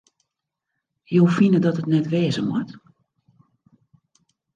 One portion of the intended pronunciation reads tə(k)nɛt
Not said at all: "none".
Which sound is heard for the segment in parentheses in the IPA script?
t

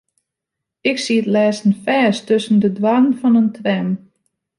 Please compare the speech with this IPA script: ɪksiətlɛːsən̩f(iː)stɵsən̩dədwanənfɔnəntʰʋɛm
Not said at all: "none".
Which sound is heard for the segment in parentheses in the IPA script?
ɛː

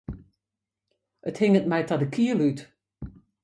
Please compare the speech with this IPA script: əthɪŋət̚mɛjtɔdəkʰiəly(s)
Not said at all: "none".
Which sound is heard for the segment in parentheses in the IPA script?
t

